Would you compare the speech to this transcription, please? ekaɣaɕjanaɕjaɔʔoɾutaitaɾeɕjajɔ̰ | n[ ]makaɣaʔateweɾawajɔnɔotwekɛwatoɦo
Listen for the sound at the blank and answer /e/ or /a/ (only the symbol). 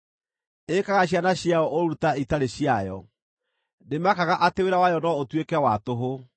e